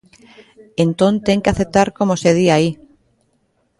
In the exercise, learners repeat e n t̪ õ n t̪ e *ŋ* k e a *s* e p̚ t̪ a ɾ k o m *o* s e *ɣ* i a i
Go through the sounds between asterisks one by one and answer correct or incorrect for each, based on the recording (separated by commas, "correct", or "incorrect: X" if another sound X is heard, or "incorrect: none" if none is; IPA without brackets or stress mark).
correct, incorrect: θ, correct, incorrect: ð